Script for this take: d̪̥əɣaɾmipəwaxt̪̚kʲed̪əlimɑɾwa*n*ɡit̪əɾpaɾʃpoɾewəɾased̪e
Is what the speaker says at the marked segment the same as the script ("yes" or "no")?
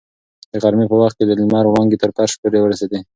no